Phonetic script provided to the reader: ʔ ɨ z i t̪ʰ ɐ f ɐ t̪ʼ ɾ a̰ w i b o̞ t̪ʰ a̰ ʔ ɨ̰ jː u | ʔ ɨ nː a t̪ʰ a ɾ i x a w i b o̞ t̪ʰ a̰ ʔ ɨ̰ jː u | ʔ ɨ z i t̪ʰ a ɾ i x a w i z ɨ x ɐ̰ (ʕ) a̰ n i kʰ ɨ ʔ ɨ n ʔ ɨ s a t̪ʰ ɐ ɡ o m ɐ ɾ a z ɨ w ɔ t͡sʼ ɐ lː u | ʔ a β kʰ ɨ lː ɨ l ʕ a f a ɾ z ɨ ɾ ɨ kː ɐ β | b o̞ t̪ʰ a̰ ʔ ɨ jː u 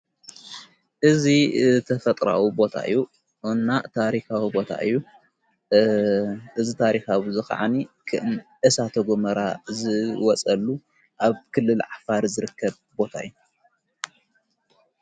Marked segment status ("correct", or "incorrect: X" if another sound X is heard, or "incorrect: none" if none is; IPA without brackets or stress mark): correct